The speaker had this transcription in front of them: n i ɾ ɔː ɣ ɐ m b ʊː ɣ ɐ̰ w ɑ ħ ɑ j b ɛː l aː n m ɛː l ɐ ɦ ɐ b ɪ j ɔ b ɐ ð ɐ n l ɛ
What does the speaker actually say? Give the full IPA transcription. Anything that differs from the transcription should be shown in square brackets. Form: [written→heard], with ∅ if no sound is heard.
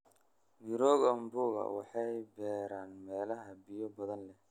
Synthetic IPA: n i ɾ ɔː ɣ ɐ m b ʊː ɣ ɐ̰ w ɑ ħ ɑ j b ɛː [l→ɾ] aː n m ɛː l ɐ ɦ ɐ b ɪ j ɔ b ɐ ð ɐ n l ɛ

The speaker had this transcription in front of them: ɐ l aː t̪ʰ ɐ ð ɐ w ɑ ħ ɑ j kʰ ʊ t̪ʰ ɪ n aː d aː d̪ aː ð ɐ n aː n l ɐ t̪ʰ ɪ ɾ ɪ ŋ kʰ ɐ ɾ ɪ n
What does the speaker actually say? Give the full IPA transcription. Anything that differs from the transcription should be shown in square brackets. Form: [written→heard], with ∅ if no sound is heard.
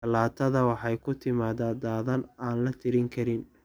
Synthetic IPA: ɐ l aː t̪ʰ ɐ ð ɐ w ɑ ħ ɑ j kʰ ʊ t̪ʰ ɪ [n→m] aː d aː d̪ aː ð ɐ n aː n l ɐ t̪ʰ ɪ ɾ ɪ ŋ kʰ ɐ ɾ ɪ n

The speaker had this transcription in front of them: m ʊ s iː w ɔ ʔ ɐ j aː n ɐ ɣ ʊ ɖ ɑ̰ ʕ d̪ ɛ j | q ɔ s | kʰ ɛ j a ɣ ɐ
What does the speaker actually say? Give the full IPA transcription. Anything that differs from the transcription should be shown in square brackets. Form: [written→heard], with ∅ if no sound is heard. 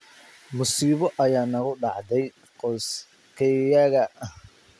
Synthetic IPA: m ʊ s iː [w→β] ɔ ʔ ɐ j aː n ɐ ɣ ʊ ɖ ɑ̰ ʕ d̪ ɛ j | q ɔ s | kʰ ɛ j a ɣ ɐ

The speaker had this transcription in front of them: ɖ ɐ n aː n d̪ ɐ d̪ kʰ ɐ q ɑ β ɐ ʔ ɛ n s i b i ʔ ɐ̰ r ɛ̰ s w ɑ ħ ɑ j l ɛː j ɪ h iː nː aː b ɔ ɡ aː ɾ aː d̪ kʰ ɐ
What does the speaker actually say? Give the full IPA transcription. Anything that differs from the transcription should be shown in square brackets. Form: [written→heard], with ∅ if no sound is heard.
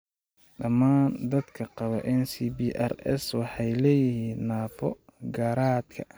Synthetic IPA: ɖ ɐ [n→m] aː n d̪ ɐ d̪ kʰ ɐ q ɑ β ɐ ʔ ɛ n s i b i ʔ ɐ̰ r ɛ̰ s w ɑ ħ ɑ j l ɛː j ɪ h iː nː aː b ɔ ɡ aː ɾ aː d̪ kʰ ɐ

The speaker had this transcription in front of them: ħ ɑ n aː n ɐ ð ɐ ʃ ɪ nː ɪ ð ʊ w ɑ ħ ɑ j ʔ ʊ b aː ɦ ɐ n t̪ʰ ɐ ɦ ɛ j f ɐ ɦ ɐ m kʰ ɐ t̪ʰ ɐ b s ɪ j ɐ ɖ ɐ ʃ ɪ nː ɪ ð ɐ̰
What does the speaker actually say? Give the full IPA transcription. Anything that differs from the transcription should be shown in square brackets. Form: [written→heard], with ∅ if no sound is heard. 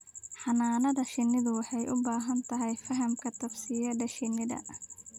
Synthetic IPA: ħ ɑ n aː n ɐ ð ɐ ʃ ɪ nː ɪ ð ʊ w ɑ ħ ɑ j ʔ ʊ b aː ɦ ɐ n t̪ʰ ɐ ɦ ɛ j f ɐ ɦ ɐ m kʰ ɐ t̪ʰ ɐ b s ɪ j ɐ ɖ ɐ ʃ ɪ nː ɪ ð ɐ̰

